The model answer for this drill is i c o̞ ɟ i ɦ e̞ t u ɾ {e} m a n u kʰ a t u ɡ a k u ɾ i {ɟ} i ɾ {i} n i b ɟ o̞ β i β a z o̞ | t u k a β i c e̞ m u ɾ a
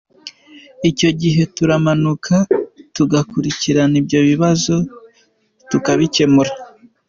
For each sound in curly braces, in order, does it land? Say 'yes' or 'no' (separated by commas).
no, no, no